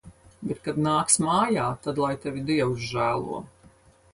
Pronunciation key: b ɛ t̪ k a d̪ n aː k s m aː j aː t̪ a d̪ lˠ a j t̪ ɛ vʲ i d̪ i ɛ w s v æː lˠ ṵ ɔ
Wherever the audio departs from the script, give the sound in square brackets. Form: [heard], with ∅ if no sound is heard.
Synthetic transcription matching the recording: b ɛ t̪ k a d̪ n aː k s m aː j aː t̪ a d̪ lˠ a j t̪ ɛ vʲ i d̪ i ɛ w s [ʒ] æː lˠ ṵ ɔ